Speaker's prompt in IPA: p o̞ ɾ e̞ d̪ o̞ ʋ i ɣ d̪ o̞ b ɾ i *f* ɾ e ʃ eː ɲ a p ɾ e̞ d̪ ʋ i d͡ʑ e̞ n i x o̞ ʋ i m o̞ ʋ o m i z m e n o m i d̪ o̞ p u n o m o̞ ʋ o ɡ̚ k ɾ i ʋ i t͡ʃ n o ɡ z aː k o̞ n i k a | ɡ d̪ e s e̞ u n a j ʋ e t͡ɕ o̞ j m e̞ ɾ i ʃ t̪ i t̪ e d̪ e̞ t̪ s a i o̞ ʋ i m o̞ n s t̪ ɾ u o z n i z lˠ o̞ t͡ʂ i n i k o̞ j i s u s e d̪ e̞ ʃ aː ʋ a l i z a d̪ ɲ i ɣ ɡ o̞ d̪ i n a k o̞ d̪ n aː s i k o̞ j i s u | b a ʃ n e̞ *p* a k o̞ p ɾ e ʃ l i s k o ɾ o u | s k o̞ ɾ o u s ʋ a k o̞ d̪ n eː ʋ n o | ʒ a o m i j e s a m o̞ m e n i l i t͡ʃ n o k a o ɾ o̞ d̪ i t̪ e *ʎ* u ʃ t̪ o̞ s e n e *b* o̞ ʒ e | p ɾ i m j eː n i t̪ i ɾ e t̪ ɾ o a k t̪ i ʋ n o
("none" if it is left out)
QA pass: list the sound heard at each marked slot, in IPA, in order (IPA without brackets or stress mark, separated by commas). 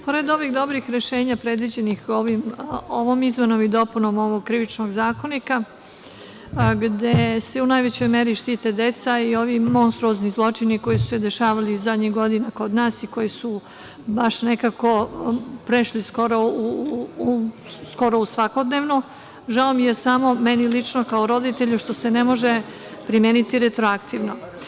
x, k, ʎ, m